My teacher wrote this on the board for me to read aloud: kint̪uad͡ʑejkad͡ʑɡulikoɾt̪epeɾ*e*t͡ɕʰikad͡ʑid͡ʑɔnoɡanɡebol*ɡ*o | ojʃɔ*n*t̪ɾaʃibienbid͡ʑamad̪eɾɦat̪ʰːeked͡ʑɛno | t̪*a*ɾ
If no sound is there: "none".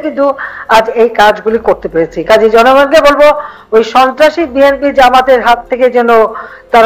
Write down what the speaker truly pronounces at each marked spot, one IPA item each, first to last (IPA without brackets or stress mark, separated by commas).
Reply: e, b, n, a